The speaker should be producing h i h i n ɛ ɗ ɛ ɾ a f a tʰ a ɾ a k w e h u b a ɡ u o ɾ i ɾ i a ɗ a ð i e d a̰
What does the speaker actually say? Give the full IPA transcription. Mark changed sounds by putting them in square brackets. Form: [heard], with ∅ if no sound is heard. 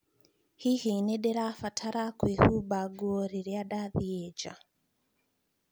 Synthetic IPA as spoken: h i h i n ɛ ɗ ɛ ɾ a f a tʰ a ɾ a k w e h u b a ɡ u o ɾ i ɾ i a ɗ a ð i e [d͡ʒ] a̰